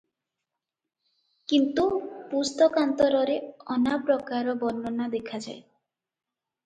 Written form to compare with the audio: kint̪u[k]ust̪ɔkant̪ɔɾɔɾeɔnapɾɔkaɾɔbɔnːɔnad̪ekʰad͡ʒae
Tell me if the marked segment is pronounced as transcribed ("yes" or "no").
no